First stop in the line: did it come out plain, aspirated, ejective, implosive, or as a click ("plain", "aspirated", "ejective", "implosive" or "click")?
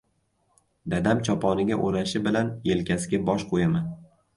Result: plain